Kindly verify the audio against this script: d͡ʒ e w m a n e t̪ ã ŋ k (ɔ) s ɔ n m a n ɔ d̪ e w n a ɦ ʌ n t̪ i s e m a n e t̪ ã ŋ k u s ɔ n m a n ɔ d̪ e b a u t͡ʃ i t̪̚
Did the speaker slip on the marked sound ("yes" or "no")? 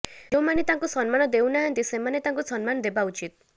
yes